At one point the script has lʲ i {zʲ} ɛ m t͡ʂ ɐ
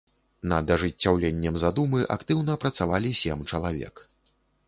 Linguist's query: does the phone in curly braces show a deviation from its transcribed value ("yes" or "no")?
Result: yes